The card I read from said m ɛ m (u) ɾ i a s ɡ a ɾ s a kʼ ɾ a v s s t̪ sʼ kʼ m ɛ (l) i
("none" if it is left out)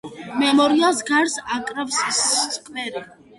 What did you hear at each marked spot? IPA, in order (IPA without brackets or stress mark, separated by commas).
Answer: ɔ, ɾ